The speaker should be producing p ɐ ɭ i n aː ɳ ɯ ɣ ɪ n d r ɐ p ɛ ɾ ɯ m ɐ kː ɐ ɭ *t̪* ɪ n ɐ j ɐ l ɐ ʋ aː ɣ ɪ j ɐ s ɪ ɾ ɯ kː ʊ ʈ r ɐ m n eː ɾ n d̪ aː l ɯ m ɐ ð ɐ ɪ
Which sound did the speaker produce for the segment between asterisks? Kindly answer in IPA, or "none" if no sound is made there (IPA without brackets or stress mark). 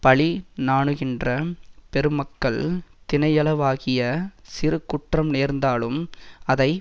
t̪